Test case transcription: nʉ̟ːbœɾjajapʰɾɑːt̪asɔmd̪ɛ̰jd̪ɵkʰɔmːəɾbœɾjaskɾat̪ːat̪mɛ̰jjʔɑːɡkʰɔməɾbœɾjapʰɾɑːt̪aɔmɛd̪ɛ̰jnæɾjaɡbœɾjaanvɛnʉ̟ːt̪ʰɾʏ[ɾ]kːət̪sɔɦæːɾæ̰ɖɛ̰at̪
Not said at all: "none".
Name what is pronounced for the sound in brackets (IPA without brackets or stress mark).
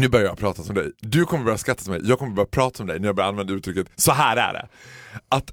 none